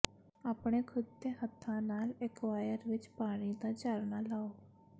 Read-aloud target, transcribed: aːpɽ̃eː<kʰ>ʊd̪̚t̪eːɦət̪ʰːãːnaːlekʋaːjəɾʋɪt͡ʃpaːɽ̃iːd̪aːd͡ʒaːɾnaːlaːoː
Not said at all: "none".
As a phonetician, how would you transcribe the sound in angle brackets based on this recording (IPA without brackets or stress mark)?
kʰ